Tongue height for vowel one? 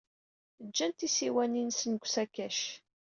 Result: low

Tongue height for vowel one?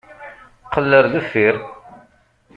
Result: mid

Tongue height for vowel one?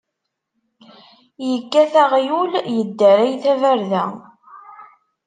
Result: mid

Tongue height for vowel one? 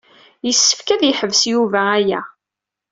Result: mid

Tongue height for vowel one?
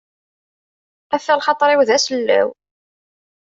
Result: low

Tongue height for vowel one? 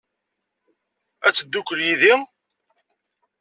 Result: low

